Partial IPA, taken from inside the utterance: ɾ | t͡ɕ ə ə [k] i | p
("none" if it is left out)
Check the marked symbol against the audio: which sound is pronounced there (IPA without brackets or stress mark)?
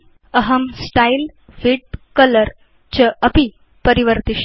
p